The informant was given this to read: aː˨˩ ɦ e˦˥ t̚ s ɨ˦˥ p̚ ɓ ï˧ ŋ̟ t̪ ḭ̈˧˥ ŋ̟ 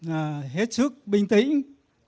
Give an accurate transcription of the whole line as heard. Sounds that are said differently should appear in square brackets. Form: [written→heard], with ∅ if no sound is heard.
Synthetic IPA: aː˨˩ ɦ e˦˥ t̚ s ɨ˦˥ [p̚→k̚] ɓ ï˧ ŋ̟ t̪ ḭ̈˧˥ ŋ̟

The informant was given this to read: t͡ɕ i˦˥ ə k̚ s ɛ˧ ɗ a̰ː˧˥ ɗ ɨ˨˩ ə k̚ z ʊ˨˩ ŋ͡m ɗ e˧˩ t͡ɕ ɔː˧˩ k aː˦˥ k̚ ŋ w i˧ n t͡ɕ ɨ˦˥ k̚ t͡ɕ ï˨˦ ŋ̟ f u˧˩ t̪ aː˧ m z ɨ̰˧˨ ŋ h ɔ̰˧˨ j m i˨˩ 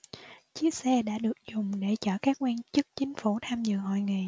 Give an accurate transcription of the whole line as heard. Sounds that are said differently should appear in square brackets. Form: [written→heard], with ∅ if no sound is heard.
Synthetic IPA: t͡ɕ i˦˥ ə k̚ s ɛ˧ ɗ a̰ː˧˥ ɗ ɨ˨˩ ə k̚ z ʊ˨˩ ŋ͡m ɗ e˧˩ t͡ɕ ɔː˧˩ k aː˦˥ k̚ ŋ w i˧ n t͡ɕ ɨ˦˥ k̚ t͡ɕ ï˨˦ ŋ̟ f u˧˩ [t̪→t̪ʰ] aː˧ m z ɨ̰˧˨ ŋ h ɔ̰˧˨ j [m→ŋ] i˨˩

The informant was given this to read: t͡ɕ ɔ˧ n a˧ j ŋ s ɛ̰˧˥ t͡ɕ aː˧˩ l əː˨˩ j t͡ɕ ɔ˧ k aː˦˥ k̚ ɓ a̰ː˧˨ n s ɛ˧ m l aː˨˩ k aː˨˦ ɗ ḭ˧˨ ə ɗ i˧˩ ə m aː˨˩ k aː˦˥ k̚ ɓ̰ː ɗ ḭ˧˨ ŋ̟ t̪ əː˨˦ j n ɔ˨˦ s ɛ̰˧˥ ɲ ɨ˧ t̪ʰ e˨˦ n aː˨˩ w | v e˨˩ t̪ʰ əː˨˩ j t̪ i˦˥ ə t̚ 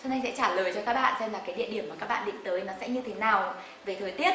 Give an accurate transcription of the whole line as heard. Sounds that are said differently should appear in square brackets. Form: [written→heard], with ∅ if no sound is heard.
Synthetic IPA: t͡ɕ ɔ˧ n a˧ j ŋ s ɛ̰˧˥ t͡ɕ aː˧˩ l əː˨˩ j t͡ɕ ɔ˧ k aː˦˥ k̚ ɓ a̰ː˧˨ n s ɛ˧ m l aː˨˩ k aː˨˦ ɗ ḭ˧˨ ə ɗ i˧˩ ə m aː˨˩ k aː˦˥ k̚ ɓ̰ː ɗ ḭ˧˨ ŋ̟ t̪ əː˨˦ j n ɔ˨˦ s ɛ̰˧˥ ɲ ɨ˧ t̪ʰ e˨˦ n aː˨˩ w | v e˨˩ t̪ʰ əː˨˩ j t̪ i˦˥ ə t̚

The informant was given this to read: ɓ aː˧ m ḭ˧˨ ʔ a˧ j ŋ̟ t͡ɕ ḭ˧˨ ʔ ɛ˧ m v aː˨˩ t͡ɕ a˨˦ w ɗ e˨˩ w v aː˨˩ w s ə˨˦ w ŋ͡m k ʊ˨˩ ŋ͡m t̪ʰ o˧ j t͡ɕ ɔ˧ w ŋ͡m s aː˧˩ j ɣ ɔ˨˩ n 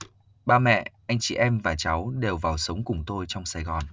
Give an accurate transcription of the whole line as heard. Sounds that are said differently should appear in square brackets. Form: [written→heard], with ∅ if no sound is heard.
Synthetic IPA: ɓ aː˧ m [ḭ˧˨→ɛ̰˧˨] ʔ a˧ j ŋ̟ t͡ɕ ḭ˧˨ ʔ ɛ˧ m v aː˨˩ t͡ɕ a˨˦ w ɗ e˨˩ w v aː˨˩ w s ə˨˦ w ŋ͡m k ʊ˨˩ ŋ͡m [t̪ʰ→t̪] o˧ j t͡ɕ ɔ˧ w ŋ͡m s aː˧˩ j ɣ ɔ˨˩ n

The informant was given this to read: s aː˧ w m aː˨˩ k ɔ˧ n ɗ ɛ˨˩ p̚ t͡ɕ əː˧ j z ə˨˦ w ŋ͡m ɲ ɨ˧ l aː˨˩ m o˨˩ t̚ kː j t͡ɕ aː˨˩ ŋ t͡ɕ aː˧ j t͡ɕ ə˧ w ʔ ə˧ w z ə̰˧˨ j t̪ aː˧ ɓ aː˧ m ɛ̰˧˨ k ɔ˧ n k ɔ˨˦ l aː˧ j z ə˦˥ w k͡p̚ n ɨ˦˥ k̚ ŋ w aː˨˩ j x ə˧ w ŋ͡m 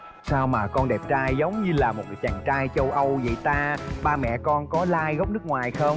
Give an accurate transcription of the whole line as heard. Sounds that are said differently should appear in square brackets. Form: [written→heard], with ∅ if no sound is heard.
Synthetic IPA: s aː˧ w m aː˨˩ k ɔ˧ n ɗ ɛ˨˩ p̚ t͡ɕ [əː˧→aː˧] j z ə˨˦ w ŋ͡m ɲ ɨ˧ l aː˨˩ m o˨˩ t̚ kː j t͡ɕ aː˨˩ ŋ t͡ɕ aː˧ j t͡ɕ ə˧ w ʔ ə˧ w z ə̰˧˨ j t̪ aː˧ ɓ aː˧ m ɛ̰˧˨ k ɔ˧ n k ɔ˨˦ l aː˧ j [z→ɣ] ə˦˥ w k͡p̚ n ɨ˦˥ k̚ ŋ w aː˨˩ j x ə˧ w ŋ͡m

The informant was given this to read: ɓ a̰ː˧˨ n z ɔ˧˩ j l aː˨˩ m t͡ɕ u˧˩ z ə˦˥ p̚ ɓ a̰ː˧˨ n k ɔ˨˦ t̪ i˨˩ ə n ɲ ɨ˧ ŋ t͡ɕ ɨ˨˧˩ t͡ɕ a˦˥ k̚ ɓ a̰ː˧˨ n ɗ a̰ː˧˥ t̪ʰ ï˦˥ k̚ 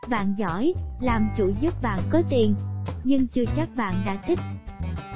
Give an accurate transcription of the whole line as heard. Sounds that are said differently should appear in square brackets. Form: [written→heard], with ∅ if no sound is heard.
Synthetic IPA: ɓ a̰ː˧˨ n z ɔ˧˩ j l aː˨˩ m t͡ɕ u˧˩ z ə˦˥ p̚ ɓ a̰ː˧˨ n k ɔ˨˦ t̪ i˨˩ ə n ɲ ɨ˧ ŋ t͡ɕ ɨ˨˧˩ t͡ɕ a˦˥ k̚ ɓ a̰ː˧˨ n ɗ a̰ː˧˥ t̪ʰ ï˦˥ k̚

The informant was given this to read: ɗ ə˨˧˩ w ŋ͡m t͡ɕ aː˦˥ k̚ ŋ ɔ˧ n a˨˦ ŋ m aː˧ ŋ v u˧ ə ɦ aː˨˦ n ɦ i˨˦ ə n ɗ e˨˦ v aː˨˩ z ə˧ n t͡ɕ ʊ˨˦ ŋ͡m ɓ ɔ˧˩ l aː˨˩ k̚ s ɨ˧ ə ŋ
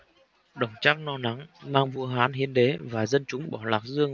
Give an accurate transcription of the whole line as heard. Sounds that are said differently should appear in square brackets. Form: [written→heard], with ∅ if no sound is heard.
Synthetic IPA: ɗ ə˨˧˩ w ŋ͡m t͡ɕ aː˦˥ k̚ [ŋ→n] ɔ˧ n a˨˦ ŋ m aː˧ ŋ v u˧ ə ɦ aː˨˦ n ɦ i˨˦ ə n ɗ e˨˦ v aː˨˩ z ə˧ n t͡ɕ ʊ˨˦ ŋ͡m ɓ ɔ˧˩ l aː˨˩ k̚ [s→z] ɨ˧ ə ŋ

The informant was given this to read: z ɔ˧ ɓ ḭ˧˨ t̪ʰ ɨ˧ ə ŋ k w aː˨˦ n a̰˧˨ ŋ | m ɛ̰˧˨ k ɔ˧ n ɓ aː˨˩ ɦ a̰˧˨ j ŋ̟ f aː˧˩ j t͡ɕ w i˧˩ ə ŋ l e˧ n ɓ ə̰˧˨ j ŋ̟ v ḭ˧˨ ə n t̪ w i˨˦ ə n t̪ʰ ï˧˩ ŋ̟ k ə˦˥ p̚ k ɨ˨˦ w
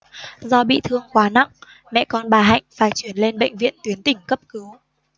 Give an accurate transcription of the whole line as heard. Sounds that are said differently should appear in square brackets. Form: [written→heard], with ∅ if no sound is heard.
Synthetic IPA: z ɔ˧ ɓ ḭ˧˨ t̪ʰ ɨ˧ ə ŋ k w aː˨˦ n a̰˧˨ ŋ | m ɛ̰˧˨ k ɔ˧ n ɓ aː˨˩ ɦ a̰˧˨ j ŋ̟ f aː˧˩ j t͡ɕ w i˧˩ ə [ŋ→n] l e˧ n ɓ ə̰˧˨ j ŋ̟ v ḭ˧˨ ə n t̪ w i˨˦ ə n [t̪ʰ→t̪] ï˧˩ ŋ̟ k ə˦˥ p̚ k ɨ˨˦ w

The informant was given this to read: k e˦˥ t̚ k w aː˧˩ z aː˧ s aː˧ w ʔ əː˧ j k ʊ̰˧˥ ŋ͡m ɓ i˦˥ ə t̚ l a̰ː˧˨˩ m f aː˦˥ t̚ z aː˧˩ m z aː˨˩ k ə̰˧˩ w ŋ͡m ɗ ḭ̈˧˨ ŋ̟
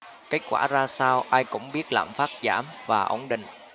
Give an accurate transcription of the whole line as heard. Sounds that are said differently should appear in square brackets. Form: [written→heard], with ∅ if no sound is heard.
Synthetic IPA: k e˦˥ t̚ k w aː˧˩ z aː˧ s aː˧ w ʔ [əː˧→aː˧] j k ʊ̰˧˥ ŋ͡m ɓ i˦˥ ə t̚ l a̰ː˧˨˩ m f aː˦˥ t̚ z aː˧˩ m [z→v] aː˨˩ [k→ʔ] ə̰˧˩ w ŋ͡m ɗ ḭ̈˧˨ ŋ̟

